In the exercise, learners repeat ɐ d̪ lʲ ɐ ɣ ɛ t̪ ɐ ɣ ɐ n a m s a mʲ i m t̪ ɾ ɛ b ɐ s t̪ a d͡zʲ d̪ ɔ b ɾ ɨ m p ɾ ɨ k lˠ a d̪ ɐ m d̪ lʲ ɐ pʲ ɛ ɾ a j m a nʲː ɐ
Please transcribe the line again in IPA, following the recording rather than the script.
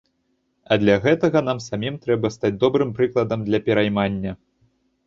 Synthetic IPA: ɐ d̪ lʲ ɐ ɣ ɛ t̪ ɐ ɣ ɐ n a m s a mʲ i m t̪ ɾ ɛ b ɐ s t̪ a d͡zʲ d̪ ɔ b ɾ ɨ m p ɾ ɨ k lˠ ɐ d̪ ɐ m d̪ lʲ ɐ pʲ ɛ ɾ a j m a nʲː ɐ